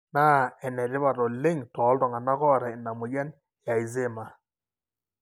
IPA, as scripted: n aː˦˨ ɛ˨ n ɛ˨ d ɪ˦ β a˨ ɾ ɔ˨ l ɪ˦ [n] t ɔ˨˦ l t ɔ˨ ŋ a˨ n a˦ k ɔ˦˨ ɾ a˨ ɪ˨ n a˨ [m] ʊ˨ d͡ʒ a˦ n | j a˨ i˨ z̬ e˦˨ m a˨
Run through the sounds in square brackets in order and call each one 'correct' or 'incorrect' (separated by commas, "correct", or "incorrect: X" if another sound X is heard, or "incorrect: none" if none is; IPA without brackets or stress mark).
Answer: incorrect: ŋ, correct